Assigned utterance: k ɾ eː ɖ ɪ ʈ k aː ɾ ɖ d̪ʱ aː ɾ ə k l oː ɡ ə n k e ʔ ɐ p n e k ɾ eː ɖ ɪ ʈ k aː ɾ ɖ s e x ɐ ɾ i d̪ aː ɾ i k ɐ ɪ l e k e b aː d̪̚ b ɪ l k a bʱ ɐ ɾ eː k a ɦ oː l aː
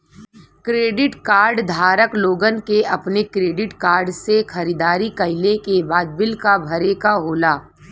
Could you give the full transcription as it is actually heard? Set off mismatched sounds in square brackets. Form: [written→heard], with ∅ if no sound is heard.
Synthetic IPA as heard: k ɾ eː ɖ ɪ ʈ k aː ɾ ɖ d̪ʱ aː ɾ ə k l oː ɡ ə n k e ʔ ɐ p n e k ɾ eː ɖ ɪ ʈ k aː ɾ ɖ s e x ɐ ɾ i d̪ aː ɾ i k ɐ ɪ l e k e b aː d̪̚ b ɪ l k a bʱ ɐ ɾ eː k a ɦ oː l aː